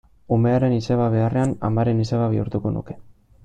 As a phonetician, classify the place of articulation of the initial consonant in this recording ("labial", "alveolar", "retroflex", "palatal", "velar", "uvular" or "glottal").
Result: labial